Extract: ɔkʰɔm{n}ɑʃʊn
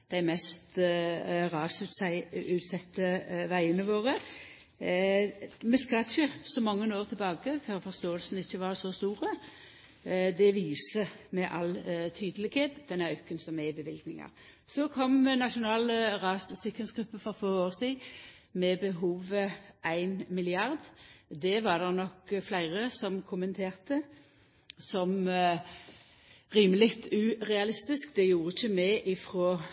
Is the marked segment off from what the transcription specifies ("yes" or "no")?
no